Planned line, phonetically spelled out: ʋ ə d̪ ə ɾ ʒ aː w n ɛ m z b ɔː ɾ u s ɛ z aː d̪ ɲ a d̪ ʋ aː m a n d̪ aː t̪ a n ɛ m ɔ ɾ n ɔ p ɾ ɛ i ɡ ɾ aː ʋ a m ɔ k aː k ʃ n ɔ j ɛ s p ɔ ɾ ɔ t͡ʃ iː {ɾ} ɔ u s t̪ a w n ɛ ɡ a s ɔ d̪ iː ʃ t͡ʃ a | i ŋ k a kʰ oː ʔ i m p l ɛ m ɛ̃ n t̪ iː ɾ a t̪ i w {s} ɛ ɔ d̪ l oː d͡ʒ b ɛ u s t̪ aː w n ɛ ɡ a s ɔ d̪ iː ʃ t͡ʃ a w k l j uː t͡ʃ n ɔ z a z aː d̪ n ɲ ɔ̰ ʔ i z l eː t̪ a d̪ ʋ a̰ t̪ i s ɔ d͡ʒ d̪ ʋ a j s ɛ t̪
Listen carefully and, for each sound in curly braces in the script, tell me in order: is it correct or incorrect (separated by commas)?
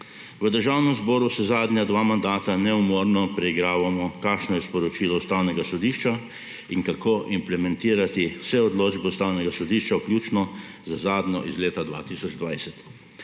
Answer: incorrect, correct